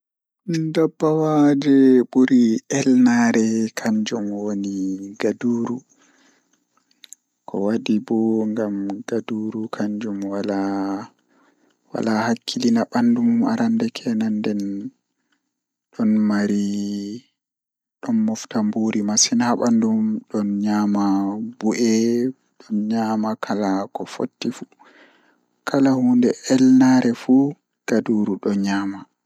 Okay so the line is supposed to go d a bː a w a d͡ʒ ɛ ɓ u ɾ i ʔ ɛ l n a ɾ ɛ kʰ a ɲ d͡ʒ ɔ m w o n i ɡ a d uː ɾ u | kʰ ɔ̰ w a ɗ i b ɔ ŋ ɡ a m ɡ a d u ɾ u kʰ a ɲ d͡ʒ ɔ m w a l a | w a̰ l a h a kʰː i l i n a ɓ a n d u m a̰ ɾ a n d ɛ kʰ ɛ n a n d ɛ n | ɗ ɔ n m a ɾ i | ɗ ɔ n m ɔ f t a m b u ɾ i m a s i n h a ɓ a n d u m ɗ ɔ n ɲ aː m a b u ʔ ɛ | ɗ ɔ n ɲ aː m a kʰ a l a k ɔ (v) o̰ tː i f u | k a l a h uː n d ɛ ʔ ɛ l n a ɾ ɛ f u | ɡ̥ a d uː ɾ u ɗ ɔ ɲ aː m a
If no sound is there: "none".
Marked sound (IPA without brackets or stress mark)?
f